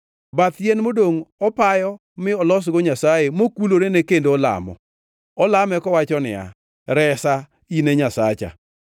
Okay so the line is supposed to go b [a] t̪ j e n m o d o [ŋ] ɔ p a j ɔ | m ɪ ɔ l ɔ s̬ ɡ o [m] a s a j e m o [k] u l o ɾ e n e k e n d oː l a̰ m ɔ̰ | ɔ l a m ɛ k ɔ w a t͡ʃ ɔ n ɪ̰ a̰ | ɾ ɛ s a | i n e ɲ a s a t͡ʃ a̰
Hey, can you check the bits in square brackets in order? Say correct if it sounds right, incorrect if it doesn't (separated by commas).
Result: correct, correct, incorrect, correct